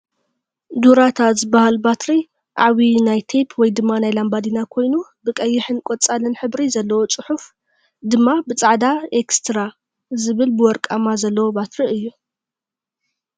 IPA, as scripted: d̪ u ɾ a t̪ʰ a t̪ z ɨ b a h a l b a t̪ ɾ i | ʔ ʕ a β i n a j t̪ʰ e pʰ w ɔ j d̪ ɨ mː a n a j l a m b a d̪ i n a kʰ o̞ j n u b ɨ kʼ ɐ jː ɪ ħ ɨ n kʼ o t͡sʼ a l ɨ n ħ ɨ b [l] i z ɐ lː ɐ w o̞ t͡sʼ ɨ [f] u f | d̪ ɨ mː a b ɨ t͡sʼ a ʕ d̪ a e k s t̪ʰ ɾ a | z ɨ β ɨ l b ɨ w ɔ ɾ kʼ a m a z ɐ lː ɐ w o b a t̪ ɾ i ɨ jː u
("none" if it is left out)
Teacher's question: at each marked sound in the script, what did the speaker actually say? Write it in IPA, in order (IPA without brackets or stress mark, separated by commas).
ɾ, ħ